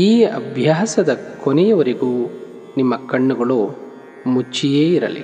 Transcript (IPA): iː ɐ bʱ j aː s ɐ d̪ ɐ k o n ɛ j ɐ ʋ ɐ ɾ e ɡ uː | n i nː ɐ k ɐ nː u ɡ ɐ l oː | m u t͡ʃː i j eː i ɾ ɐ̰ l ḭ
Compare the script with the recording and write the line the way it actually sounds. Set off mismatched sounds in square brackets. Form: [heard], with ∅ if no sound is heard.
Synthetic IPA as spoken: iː ɐ bʱ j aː s ɐ d̪ ɐ k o n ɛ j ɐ ʋ ɐ ɾ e ɡ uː | n i [mː] ɐ k ɐ [ɳː] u ɡ ɐ [ɭ] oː | m u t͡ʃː i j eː i ɾ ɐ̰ l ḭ